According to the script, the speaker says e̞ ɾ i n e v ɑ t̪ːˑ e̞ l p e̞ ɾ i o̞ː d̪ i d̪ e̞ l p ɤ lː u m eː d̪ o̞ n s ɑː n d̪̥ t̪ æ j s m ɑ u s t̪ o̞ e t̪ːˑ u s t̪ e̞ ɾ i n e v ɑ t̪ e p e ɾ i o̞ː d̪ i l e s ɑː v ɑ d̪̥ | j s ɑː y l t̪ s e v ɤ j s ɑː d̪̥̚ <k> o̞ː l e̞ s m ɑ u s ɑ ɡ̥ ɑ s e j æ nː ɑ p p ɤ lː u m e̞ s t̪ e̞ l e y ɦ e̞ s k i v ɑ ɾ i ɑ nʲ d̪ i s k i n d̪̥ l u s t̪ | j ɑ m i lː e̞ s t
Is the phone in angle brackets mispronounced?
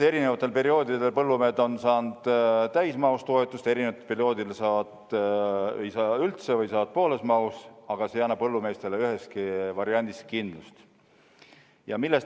yes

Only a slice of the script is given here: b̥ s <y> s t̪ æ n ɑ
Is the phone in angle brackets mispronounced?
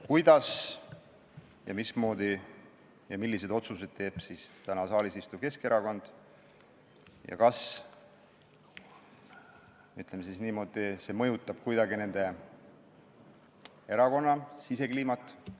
yes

